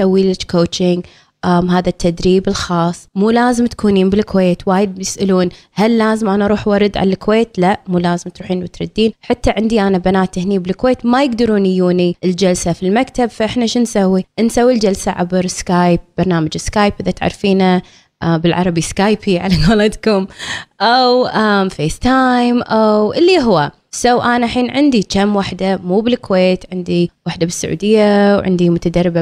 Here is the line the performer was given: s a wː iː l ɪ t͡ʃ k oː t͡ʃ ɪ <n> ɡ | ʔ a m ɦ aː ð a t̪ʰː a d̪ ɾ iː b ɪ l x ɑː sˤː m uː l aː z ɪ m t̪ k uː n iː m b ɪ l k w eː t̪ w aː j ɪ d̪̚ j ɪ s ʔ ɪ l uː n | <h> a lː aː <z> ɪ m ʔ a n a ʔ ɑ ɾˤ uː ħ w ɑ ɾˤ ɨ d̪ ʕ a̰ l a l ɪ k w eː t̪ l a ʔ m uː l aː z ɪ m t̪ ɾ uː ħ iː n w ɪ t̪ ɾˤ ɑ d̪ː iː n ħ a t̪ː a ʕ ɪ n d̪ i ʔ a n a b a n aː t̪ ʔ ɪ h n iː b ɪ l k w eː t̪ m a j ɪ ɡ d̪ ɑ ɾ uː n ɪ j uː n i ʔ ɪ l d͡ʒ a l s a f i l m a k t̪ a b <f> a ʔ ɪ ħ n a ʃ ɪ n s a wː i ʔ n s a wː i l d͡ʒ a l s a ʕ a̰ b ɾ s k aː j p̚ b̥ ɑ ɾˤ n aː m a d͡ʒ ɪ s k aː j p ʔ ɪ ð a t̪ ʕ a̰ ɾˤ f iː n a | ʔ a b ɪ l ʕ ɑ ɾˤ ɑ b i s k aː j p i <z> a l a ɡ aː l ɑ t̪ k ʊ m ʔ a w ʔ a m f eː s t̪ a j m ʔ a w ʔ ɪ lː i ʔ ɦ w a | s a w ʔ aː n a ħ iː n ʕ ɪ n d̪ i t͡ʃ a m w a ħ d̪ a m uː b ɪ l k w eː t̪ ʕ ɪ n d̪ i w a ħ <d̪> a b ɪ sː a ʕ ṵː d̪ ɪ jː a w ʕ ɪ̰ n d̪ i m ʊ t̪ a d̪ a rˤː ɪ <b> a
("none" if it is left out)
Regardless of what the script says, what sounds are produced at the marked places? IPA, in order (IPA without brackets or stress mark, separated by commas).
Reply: ŋ, h, z, f, ʕ, d̪, b